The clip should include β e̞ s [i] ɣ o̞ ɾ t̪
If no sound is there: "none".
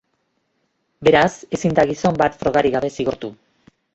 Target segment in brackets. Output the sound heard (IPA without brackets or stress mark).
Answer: i